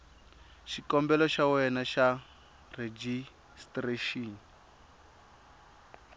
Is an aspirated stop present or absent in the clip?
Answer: absent